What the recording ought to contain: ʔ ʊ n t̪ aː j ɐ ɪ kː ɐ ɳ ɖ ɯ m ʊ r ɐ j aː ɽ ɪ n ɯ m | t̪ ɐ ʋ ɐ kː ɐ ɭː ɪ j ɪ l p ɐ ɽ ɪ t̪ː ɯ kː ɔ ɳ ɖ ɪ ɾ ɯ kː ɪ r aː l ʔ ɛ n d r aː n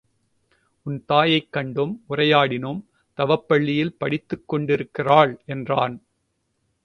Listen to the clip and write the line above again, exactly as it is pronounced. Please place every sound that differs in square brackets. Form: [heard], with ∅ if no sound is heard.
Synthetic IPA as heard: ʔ ʊ n t̪ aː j ɐ ɪ kː ɐ ɳ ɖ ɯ m ʊ r ɐ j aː ɽ ɪ n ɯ m | t̪ ɐ ʋ ɐ [pː] ɐ ɭː ɪ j ɪ l p ɐ ɽ ɪ t̪ː ɯ kː ɔ ɳ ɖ ɪ ɾ ɯ kː ɪ r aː [ɭ] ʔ ɛ n d r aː n

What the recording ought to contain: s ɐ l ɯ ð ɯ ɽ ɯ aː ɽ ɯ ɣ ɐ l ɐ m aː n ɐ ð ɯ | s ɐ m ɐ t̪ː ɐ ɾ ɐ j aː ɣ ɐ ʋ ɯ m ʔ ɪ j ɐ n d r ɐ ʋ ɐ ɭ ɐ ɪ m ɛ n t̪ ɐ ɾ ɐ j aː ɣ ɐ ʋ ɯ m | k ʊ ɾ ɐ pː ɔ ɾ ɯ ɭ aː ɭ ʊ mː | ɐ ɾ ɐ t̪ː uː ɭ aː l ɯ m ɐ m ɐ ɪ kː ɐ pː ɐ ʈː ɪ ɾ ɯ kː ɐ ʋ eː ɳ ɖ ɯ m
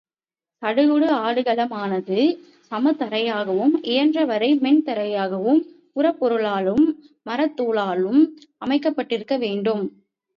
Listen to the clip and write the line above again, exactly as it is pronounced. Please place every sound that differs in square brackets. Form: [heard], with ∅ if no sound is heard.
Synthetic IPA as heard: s ɐ [ɽ] ɯ [ɣ] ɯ ɽ ɯ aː ɽ ɯ ɣ ɐ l ɐ m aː n ɐ ð ɯ | s ɐ m ɐ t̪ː ɐ ɾ ɐ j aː ɣ ɐ ʋ ɯ m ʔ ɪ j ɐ n d r ɐ ʋ ɐ [ɾ] ɐ ɪ m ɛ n t̪ ɐ ɾ ɐ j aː ɣ ɐ ʋ ɯ m | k ʊ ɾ ɐ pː ɔ ɾ ɯ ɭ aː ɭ [ɯ] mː | ɐ ɾ ɐ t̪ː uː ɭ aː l ɯ m ɐ m ɐ ɪ kː ɐ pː ɐ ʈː ɪ ɾ ɯ kː ɐ ʋ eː ɳ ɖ ɯ m

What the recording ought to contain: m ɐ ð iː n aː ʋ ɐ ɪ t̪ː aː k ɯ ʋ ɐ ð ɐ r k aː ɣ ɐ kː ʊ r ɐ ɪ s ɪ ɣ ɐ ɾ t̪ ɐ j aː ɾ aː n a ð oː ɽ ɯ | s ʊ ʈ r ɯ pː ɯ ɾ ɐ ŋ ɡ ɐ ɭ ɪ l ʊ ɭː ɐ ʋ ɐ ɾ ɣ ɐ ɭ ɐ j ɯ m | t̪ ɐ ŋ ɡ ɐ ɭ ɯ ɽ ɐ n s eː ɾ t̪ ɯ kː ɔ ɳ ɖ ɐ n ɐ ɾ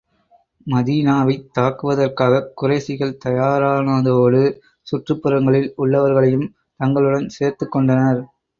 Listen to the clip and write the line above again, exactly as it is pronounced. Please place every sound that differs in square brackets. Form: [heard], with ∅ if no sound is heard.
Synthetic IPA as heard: m ɐ ð iː n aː ʋ ɐ ɪ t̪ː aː k ɯ ʋ ɐ ð ɐ r k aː ɣ ɐ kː ʊ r ɐ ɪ s ɪ ɣ ɐ [ɭ] t̪ ɐ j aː ɾ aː n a ð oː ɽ ɯ | s ʊ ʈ r ɯ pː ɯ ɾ ɐ ŋ ɡ ɐ ɭ ɪ l ʊ ɭː ɐ ʋ ɐ ɾ ɣ ɐ ɭ ɐ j ɯ m | t̪ ɐ ŋ ɡ ɐ ɭ ɯ ɽ ɐ n s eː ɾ t̪ ɯ kː ɔ ɳ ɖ ɐ n ɐ ɾ

